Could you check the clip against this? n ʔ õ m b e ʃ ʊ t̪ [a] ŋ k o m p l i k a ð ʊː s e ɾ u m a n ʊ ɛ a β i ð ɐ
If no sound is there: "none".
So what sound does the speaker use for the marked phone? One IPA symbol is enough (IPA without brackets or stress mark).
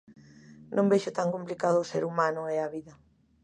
a